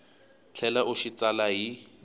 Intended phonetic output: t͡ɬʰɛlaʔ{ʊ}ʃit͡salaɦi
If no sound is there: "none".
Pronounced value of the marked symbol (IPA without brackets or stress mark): ʊ